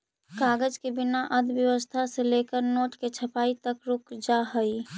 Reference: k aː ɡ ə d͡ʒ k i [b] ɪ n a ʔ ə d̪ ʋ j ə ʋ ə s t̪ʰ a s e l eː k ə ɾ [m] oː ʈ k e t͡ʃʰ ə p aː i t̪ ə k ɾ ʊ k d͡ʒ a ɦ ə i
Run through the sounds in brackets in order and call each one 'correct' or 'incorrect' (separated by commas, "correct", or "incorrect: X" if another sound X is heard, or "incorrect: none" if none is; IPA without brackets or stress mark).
correct, incorrect: n